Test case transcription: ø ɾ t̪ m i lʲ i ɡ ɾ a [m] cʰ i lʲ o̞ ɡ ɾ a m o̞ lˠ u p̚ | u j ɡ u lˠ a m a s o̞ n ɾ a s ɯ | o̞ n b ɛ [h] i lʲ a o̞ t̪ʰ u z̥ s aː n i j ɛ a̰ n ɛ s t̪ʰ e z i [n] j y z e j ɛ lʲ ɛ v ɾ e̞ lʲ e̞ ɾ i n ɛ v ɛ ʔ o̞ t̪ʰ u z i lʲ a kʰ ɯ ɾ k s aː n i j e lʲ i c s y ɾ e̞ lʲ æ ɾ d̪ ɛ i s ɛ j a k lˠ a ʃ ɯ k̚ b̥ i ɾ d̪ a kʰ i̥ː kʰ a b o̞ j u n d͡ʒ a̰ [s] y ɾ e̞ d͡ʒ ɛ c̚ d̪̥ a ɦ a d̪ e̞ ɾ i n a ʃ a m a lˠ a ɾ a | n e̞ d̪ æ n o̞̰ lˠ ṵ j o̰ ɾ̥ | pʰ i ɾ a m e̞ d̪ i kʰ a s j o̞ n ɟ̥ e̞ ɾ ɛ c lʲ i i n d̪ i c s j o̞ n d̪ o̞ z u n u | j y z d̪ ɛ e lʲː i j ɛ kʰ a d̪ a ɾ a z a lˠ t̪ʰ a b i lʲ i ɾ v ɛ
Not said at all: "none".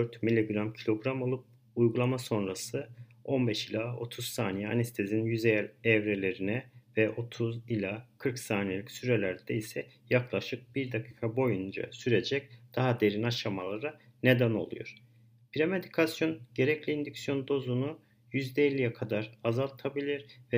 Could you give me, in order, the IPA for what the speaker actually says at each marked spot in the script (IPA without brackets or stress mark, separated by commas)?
m, ʃ, n, s